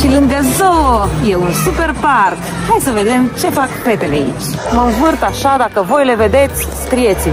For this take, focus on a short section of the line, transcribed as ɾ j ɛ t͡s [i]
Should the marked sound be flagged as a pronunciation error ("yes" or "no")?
no